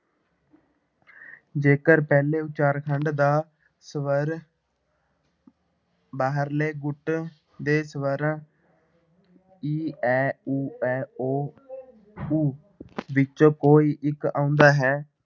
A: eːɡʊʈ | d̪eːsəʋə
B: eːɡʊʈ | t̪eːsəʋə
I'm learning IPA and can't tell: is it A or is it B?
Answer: A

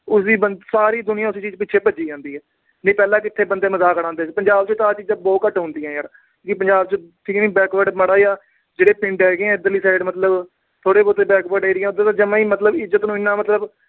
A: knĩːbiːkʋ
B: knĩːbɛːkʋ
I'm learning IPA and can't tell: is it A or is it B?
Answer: B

